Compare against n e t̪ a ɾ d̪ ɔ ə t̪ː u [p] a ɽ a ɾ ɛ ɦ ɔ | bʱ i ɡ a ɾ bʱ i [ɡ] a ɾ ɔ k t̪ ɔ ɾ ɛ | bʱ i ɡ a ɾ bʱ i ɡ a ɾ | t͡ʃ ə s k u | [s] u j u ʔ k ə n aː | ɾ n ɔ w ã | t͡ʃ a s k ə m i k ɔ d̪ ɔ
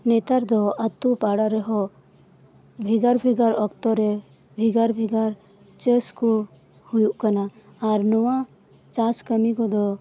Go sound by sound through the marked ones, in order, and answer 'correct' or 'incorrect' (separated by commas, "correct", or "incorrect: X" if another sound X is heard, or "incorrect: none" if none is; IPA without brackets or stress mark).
correct, correct, incorrect: h